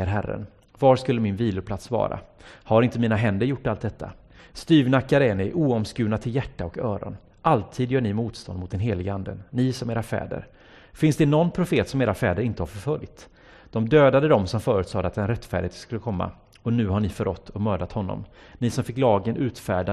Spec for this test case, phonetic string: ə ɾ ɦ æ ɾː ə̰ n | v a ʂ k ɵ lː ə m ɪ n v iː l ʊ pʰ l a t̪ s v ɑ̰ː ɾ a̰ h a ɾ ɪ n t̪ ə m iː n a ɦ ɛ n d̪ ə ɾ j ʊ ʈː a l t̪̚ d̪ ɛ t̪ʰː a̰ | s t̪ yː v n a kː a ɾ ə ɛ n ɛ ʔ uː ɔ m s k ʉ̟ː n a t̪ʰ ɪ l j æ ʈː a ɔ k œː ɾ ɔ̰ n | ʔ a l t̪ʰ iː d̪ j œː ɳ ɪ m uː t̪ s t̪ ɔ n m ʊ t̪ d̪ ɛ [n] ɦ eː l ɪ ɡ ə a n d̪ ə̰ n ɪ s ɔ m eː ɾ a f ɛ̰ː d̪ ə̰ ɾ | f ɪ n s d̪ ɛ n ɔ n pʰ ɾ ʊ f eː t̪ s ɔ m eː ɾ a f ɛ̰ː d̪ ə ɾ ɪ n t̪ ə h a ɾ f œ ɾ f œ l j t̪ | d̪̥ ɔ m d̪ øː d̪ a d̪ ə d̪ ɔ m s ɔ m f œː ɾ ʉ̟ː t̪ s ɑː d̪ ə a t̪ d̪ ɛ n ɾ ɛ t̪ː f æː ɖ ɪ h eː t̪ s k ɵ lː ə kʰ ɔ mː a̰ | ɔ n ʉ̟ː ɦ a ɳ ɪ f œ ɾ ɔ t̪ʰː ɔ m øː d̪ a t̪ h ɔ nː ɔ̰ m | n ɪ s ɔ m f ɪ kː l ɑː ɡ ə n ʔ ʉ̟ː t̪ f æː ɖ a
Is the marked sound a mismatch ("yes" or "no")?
no